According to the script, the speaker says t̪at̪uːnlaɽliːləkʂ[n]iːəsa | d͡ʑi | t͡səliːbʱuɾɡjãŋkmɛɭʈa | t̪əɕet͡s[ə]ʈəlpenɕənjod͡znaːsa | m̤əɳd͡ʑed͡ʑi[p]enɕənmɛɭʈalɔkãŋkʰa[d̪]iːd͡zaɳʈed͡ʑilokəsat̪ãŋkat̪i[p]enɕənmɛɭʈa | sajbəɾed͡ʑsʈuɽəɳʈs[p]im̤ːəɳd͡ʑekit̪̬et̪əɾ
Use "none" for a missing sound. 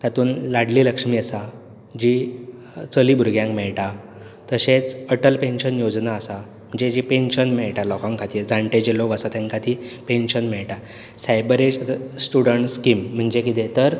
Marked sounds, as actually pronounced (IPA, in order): m, ə, p, t̪, p, k

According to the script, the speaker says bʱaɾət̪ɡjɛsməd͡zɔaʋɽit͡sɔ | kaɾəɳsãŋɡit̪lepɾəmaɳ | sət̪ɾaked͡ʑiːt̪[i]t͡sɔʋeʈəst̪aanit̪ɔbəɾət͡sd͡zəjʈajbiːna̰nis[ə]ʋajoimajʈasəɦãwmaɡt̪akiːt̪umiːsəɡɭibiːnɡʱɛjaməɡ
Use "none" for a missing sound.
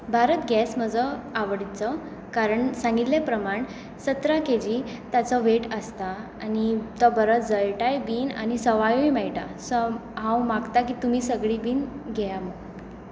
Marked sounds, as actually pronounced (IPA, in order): a, ə

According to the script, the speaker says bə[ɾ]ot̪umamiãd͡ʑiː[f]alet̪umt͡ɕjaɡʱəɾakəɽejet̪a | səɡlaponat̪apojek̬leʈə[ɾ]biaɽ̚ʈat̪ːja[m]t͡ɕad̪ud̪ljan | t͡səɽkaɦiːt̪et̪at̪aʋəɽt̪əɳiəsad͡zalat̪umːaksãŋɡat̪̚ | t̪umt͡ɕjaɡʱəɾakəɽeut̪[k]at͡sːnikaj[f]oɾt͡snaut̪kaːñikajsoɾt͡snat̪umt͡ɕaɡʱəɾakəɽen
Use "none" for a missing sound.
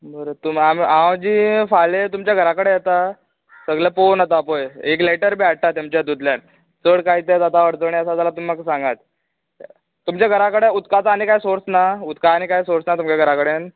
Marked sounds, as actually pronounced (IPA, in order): ɾ, f, ɾ, m, k, s

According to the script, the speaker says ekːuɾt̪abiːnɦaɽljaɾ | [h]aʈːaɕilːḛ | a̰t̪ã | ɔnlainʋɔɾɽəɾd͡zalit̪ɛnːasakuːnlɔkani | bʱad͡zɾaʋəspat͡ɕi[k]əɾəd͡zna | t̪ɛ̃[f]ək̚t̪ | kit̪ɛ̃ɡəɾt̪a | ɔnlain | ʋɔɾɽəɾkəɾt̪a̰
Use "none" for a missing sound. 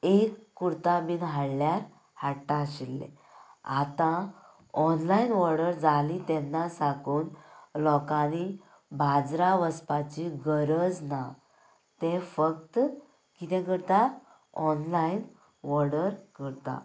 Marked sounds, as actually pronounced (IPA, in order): h, ɡ, f

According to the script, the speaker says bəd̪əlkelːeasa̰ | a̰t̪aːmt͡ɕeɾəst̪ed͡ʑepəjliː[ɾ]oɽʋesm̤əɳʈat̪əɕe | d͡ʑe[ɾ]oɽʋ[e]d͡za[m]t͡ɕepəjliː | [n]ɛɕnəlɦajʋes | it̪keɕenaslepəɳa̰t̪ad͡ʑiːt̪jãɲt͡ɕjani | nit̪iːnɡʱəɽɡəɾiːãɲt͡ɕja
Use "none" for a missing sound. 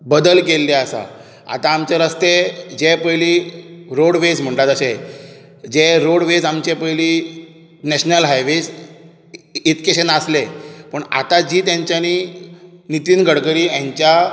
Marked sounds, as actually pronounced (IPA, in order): ɾ, ɾ, e, m, n

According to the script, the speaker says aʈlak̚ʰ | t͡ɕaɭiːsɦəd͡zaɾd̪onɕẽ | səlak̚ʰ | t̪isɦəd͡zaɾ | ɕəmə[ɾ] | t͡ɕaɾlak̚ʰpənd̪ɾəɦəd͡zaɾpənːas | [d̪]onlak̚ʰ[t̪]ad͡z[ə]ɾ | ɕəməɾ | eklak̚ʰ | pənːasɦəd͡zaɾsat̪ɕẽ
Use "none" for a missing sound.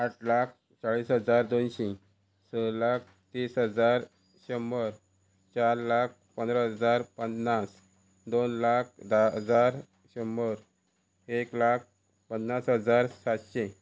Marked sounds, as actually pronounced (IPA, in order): ɾ, d̪, d̪, a

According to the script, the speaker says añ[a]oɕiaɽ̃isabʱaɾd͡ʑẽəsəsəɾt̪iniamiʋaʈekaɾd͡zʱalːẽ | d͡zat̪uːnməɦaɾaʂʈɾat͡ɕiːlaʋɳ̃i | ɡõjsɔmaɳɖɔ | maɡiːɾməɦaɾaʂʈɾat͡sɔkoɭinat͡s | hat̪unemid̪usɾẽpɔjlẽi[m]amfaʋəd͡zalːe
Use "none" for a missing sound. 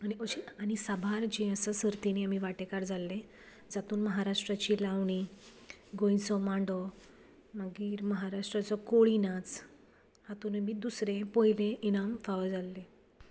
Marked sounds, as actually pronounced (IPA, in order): i, n

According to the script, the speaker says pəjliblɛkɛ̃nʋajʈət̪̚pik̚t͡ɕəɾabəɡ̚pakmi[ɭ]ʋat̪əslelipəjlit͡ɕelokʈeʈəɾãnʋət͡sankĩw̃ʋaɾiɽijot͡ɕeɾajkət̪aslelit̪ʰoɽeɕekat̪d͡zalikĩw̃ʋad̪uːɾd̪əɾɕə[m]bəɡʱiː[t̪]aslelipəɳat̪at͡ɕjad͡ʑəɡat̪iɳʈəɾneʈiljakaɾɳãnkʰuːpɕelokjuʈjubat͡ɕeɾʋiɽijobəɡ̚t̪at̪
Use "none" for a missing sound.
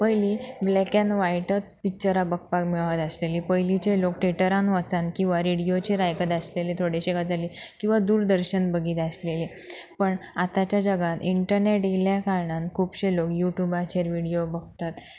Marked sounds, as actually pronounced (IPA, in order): ɭ, n, t̪

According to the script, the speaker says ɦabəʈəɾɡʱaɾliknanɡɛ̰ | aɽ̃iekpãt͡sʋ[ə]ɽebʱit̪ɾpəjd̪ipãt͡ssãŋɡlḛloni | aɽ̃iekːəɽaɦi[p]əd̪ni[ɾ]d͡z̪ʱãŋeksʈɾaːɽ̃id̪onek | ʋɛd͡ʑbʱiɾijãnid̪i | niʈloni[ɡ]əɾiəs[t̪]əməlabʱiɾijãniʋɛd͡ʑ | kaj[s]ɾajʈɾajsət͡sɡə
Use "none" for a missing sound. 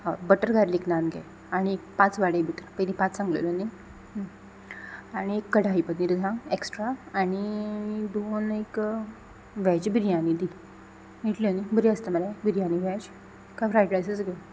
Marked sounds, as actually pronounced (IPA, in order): a, p, ɾ, b, t̪, f

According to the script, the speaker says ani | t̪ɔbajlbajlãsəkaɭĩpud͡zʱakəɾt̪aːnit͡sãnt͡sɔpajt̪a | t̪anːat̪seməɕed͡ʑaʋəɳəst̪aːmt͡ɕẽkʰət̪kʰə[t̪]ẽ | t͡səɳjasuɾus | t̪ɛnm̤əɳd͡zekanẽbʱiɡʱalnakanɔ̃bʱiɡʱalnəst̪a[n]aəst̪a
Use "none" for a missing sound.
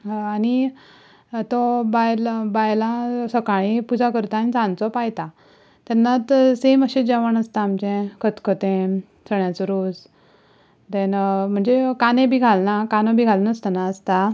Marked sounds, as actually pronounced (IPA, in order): t̪, n

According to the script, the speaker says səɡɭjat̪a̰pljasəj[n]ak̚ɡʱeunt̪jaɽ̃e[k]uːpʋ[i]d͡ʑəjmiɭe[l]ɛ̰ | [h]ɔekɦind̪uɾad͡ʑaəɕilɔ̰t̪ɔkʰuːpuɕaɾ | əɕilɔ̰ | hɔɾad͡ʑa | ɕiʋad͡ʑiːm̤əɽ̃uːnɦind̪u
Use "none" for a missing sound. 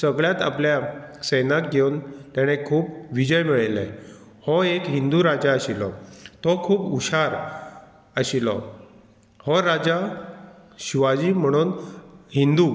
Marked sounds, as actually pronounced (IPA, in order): n, kʰ, i, l, h

